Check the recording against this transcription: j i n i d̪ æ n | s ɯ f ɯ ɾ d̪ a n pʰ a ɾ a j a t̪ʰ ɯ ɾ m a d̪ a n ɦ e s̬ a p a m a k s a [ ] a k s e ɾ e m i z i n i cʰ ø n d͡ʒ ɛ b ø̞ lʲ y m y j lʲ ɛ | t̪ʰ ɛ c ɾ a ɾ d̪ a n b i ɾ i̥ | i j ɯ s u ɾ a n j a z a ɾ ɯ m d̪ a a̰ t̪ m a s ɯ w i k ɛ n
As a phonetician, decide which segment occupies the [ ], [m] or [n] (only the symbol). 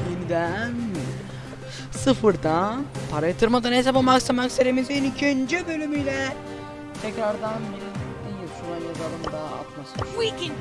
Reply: m